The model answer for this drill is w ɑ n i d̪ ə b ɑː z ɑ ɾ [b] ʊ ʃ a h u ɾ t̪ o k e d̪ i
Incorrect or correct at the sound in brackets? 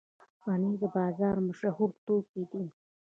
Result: incorrect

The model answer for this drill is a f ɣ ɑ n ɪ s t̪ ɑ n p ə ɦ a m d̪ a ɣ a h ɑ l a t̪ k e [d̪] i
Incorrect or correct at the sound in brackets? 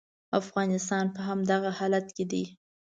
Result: correct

